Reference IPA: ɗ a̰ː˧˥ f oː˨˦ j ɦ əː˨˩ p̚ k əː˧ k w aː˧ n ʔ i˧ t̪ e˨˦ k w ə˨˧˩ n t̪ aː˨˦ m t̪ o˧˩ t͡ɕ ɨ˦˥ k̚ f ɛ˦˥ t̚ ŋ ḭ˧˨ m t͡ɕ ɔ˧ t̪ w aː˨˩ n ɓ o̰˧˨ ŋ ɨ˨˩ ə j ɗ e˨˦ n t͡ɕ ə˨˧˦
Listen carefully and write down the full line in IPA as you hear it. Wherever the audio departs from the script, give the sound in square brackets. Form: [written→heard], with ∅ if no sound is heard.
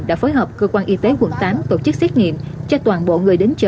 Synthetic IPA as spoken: ɗ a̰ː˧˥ f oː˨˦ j ɦ əː˨˩ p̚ k əː˧ k w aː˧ n ʔ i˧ t̪ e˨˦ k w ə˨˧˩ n t̪ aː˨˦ m t̪ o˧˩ t͡ɕ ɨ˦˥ k̚ [f→s] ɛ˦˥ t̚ ŋ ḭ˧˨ m t͡ɕ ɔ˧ t̪ w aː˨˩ n ɓ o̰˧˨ ŋ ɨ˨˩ ə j ɗ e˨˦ n t͡ɕ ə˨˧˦